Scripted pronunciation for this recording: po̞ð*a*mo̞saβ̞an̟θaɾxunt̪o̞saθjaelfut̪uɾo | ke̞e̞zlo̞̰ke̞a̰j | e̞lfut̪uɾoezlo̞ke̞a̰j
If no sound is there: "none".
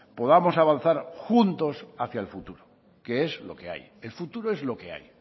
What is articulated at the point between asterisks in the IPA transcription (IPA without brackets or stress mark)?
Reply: a